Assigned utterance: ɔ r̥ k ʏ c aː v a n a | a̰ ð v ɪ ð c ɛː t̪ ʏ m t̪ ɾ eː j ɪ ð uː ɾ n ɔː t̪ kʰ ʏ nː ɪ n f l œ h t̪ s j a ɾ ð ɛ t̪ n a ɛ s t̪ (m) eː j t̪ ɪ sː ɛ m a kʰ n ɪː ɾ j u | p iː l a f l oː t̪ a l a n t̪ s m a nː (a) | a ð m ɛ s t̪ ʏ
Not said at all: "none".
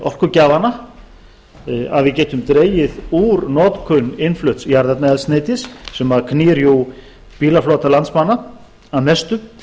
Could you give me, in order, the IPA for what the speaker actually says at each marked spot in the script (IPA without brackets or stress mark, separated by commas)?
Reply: n, a